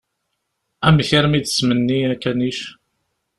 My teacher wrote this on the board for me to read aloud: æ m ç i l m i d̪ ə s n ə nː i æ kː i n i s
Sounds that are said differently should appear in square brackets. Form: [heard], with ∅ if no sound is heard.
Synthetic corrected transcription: æ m ç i [ɾ] m i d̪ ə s [m] ə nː i æ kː [æ] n i [ʃ]

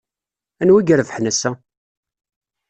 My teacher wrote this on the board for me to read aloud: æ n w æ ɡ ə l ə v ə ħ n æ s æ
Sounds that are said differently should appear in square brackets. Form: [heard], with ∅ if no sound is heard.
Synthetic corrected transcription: æ n w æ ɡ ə [ɾ] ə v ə ħ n æ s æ

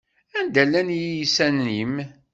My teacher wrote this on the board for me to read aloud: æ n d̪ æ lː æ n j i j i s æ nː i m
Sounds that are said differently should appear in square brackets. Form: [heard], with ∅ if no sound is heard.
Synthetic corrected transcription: æ n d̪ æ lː æ n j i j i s æ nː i m

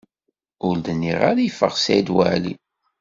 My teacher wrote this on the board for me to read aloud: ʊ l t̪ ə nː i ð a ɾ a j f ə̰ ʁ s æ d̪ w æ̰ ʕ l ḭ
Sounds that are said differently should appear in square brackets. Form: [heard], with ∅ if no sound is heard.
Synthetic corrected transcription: ʊ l [d̪] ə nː i [ʁ] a ɾ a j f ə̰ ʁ s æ d̪ w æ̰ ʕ l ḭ

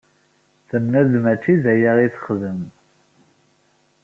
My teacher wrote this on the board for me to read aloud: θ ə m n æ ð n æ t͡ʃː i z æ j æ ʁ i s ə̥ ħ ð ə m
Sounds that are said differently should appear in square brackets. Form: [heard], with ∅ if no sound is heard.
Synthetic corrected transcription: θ ə m n æ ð [m] æ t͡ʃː i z æ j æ ʁ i [θ] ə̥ [χ] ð ə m

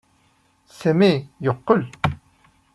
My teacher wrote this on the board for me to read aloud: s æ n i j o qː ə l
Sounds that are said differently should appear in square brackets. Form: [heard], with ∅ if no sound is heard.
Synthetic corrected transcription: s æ [m] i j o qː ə l

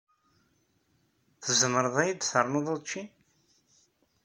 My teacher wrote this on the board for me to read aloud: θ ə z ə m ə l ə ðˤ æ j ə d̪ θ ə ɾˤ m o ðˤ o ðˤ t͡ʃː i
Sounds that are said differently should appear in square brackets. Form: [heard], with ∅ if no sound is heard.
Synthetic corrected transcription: θ ə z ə m ə [ɾ] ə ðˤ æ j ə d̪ θ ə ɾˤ [n] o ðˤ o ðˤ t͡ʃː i

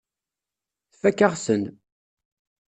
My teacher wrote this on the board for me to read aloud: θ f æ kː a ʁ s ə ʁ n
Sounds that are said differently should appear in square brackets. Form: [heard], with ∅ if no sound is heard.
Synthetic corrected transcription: θ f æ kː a ʁ s ə [∅] n

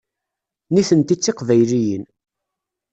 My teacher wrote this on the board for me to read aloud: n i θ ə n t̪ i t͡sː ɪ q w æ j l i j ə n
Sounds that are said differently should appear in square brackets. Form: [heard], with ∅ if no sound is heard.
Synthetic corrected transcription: n i θ ə n t̪ i t͡sː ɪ q [v] æ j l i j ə n

